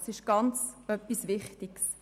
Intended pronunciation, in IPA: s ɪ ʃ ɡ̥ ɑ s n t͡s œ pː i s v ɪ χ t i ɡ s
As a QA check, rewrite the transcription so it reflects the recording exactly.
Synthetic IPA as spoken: s ɪ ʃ ɡ̥ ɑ n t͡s œ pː i s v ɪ χ t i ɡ s

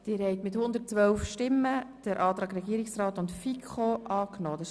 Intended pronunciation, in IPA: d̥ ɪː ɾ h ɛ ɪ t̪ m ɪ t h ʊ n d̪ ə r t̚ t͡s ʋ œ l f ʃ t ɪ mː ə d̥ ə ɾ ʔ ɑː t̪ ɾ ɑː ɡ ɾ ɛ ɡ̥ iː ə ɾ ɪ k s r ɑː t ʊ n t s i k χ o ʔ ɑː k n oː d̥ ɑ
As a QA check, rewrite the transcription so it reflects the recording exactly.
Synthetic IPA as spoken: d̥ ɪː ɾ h ɛ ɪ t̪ m ɪ t h ʊ n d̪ ə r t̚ t͡s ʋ œ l f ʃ t ɪ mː ə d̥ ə ɾ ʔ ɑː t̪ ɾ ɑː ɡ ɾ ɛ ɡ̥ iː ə ɾ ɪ k s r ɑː t ʊ n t f i k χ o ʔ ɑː k n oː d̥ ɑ

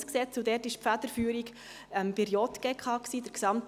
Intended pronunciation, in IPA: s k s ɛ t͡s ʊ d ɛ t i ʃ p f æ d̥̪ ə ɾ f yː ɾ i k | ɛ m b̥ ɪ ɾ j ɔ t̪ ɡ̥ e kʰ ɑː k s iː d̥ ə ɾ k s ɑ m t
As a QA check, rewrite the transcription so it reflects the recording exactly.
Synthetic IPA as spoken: s k s ɛ t͡s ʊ d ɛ t ɪ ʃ p f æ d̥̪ ə ɾ f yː ɾ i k | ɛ m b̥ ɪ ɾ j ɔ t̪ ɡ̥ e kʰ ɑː k s iː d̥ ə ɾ k s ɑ m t

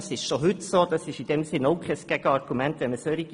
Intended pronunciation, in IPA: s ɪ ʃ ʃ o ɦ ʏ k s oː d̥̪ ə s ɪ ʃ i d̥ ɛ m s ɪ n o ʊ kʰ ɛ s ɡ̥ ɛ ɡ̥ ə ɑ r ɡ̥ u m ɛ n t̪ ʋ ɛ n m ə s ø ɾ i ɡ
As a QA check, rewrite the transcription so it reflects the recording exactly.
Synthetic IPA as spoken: s ɪ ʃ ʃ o ɦ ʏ t s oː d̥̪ ɑ s ɪ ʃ i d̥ ɛ m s ɪ n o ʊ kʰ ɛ s ɡ̥ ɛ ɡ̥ ə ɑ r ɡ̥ u m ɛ n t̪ ʋ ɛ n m ə s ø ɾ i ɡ

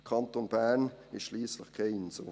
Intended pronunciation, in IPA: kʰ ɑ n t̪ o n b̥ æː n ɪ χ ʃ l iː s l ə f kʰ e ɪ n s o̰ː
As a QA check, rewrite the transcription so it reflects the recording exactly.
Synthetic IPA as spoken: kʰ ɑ n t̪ o n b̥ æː n ɪ ʃ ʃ l iː s l ə χ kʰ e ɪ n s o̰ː

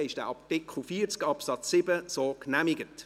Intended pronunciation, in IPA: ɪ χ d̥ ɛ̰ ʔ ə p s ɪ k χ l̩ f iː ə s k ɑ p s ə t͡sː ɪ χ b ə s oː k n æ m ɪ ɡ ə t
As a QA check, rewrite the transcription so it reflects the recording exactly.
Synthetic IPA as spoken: ɪ ʃ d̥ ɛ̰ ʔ ɑ p t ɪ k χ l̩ f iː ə t͡s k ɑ p s ɑ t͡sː ɪ b ə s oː k n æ m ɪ ɡ ə t

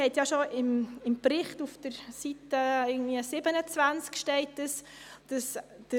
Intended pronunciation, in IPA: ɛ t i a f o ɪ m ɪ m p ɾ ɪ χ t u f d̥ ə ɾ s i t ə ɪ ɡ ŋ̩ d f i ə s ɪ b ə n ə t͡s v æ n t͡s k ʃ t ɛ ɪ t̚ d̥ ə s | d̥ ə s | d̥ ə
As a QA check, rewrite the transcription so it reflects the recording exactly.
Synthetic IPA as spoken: ɛ t j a ʃ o ɪ m ɪ m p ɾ ɪ χ t u f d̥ ə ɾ s i t ə ɪ ɡ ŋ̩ d v i ə s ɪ b ə n ə t͡s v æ n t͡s k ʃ t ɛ ɪ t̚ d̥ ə s | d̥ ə s | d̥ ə

